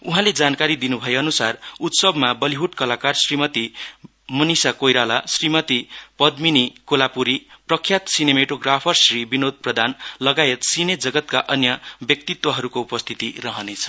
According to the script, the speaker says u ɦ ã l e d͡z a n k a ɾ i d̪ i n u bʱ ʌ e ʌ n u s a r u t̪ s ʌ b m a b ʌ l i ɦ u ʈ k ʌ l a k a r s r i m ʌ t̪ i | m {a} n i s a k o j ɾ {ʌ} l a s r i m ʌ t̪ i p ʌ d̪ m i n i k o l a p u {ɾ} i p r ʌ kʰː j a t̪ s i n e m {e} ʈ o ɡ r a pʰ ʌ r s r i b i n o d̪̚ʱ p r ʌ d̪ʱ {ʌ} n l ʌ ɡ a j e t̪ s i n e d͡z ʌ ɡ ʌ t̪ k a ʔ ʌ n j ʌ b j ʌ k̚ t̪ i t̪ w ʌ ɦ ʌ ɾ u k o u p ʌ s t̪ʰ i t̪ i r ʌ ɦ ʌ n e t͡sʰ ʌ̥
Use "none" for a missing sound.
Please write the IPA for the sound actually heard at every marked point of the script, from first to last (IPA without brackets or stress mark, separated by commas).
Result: ʌ, a, ɾ, e, a